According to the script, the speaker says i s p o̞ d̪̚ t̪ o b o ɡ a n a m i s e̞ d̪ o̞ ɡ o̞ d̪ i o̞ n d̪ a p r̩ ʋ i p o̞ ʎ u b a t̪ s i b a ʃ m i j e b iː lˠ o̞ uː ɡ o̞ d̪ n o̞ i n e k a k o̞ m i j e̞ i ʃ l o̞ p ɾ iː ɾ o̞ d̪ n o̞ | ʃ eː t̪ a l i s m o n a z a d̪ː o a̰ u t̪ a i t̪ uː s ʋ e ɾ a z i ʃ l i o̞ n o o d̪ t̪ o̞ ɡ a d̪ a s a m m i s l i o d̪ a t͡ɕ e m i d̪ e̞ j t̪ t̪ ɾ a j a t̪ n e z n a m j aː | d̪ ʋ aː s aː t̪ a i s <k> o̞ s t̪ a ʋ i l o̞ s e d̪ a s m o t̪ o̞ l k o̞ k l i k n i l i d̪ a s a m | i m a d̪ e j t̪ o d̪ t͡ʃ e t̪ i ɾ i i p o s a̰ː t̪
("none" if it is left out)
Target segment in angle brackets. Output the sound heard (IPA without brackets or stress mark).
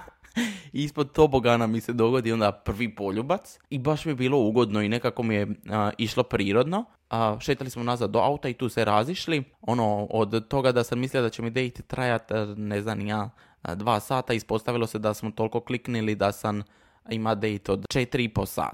p